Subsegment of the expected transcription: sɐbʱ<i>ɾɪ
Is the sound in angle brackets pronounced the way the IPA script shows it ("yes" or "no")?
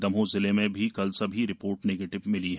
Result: yes